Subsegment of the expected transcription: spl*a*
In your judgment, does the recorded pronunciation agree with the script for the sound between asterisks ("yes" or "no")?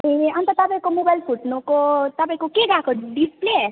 no